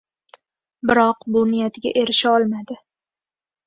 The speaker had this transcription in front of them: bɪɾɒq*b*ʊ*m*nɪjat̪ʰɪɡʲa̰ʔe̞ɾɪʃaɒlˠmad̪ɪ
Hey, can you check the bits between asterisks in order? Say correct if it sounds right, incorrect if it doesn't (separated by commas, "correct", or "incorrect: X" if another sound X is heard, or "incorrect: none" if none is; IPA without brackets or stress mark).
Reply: correct, incorrect: none